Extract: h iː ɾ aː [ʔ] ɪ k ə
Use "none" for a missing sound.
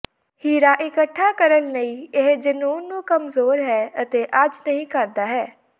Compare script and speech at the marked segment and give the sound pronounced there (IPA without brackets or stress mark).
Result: ʔ